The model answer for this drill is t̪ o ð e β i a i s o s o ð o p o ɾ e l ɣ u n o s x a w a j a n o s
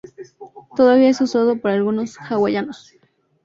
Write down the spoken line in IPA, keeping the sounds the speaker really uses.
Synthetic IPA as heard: t̪ o ð a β i a e s u s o ð o p o ɾ a l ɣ u n o s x a w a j a n o s

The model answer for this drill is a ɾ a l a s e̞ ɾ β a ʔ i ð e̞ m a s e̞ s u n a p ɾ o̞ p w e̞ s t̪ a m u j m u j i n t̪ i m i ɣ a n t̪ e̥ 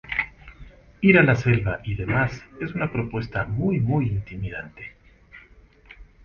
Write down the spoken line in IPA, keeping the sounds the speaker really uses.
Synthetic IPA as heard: i ɾ a l a s e̞ l β a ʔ i ð e̞ m a s e̞ s u n a p ɾ o̞ p w e̞ s t̪ a m u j m u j i n t̪ i m i ð a n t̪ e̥

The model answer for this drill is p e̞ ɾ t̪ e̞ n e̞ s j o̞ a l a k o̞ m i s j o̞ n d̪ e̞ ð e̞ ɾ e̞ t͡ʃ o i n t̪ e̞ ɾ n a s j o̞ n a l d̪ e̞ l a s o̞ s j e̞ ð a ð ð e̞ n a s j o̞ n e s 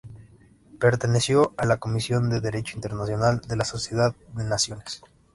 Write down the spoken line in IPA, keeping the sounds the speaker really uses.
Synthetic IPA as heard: p e̞ ɾ t̪ e̞ n e̞ s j o̞ a l a k o̞ m i s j o̞ n d̪ e̞ ð e̞ ɾ e̞ t͡ʃ o i n t̪ e̞ ɾ n a s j o̞ n a l d̪ e̞ l a s o̞ s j e̞ ð a ð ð e̞ n a s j o̞ n e s

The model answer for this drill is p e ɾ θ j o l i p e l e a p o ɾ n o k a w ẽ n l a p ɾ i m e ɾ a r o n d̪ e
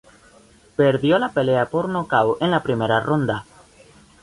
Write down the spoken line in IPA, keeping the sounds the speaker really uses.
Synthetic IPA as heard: p e ɾ ð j o l a p e l e a p o ɾ n o k a w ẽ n l a p ɾ i m e ɾ a r o n d̪ a

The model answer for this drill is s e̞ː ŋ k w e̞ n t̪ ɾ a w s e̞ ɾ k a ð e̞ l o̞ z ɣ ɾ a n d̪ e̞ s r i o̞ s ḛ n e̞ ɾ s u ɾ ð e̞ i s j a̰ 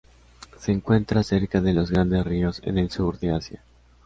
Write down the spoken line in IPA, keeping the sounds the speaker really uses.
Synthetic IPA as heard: s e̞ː ŋ k w e̞ n t̪ ɾ a s e̞ ɾ k a ð e̞ l o̞ z ɣ ɾ a n d̪ e̞ s r i o̞ s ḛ n e̞ l s u ɾ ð e̞ a s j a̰

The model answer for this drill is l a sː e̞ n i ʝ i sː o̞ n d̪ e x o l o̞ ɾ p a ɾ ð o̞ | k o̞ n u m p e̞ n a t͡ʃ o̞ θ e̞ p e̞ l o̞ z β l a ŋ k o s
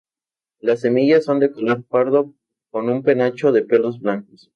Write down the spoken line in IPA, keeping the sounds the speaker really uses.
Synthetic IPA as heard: l a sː e̞ m i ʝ a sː o̞ n d̪ e k o l o̞ ɾ p a ɾ ð o̞ | k o̞ n u m p e̞ n a t͡ʃ o̞ ð e̞ p e̞ l o̞ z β l a ŋ k o s

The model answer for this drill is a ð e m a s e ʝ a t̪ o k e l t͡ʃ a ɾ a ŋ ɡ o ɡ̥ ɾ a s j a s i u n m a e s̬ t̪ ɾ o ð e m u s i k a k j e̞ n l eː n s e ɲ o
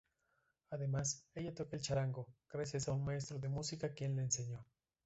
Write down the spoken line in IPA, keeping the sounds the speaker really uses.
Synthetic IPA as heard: a ð e m a s e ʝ a t̪ o k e l t͡ʃ a ɾ a ŋ ɡ o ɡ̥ ɾ a s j a s a u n m a e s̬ t̪ ɾ o ð e m u s i k a k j e̞ n l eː n s e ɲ o

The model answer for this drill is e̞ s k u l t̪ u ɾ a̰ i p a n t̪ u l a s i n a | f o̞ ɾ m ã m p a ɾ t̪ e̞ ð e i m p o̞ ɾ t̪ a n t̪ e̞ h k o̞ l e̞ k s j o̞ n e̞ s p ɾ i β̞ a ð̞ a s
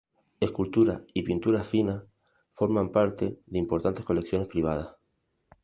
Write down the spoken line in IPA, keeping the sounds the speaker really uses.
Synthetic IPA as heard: e̞ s k u l t̪ u ɾ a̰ i p i n t̪ u ɾ a f i n a | f o̞ ɾ m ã m p a ɾ t̪ e̞ ð e i m p o̞ ɾ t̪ a n t̪ e̞ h k o̞ l e̞ k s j o̞ n e̞ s p ɾ i β̞ a ð̞ a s

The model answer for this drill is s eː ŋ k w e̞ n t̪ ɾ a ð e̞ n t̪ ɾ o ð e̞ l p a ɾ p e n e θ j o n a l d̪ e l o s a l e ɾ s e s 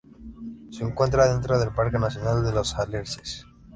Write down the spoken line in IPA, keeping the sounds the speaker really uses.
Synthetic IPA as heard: s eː ŋ k w e̞ n t̪ ɾ a ð e̞ n t̪ ɾ o ð e̞ l p a ɾ k e n a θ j o n a l d̪ e l o s a l e ɾ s e s

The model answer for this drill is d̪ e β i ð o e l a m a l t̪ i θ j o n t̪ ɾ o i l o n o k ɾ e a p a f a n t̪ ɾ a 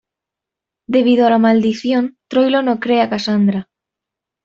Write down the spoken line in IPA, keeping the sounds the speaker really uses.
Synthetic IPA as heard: d̪ e β i ð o a l a m a l d̪ i θ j o n t̪ ɾ o j l o n o k ɾ e a k a s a n d̪ ɾ a

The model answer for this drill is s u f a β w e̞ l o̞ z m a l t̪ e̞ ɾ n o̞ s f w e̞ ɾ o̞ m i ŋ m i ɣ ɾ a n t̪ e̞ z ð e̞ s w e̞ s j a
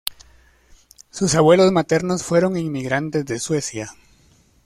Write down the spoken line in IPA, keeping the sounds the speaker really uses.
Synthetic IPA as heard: s u s a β w e̞ l o̞ z m a t̪ e̞ ɾ n o̞ s f w e̞ ɾ o̞ ŋ i ŋ m i ɣ ɾ a n t̪ e̞ z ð e̞ s w e̞ s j a

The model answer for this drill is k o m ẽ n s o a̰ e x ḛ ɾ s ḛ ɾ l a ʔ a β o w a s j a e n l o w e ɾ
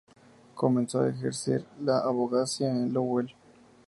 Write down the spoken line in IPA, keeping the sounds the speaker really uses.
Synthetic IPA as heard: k o m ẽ n s o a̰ e x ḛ ɾ s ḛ ɾ l a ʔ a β o ɣ a s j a e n l o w e l

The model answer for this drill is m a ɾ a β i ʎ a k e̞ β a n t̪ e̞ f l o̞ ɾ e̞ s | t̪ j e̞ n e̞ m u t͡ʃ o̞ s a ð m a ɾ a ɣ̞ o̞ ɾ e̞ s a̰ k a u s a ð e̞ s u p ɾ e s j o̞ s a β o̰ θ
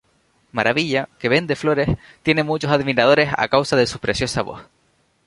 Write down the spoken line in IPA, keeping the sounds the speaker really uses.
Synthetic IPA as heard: m a ɾ a β i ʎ a k e̞ β e n d̪ e̞ f l o̞ ɾ e̞ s | t̪ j e̞ n e̞ m u t͡ʃ o̞ s a ð m i ɾ a ð̞ o̞ ɾ e̞ s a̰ k a w s a ð e̞ s u p ɾ e s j o̞ s a β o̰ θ

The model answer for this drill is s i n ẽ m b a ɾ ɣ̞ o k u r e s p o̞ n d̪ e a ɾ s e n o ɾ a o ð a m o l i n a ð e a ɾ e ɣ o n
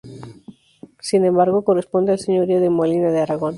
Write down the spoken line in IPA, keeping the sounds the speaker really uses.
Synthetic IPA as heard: s i n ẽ m b a ɾ ɣ̞ o k o r e s p o̞ n d̪ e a l s e ɲ o ɾ i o ð e m o l i n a ð e a ɾ a ɣ o n

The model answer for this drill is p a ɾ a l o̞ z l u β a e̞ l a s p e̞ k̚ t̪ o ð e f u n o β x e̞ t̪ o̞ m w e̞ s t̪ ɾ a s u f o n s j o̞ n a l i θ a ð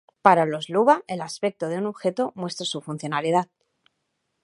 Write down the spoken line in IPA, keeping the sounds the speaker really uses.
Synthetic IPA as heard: p a ɾ a l o̞ z l u β a e̞ l a s p e̞ k̚ t̪ o ð e u n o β x e̞ t̪ o̞ m w e̞ s t̪ ɾ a s u f u n θ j o̞ n a l i ð a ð

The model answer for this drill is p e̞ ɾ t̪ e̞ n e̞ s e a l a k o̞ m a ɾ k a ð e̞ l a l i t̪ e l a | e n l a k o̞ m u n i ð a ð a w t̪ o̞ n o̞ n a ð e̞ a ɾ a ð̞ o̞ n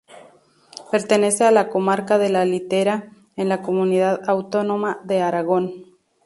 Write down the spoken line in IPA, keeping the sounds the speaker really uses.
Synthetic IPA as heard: p e̞ ɾ t̪ e̞ n e̞ s e a l a k o̞ m a ɾ k a ð e̞ l a l i t̪ e ɾ a | e n l a k o̞ m u n i ð a ð a w t̪ o̞ n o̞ m a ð e̞ a ɾ a ɣ̞ o̞ n

